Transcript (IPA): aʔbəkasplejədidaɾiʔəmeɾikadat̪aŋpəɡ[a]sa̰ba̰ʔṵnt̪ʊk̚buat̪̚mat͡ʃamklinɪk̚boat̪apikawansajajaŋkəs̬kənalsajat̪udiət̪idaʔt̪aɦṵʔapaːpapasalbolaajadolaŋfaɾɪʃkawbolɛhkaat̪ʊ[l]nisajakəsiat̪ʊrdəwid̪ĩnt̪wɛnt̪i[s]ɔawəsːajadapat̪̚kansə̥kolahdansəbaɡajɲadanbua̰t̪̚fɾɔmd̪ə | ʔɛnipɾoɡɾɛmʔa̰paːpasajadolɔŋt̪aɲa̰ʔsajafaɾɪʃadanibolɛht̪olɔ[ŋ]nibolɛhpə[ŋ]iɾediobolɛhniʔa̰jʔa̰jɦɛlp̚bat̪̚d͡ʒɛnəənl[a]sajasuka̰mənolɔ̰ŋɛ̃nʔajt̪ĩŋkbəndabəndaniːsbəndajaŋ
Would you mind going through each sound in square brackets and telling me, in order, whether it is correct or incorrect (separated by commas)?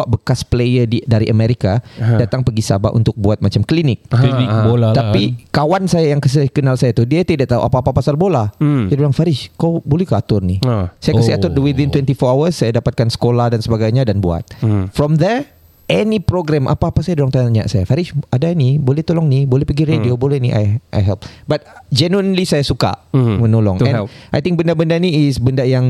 incorrect, incorrect, incorrect, correct, incorrect, incorrect